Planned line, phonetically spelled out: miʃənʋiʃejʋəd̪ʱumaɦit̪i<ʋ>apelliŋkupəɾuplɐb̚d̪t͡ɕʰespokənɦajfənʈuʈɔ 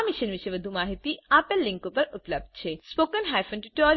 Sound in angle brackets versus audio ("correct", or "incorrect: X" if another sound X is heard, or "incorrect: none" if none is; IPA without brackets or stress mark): incorrect: none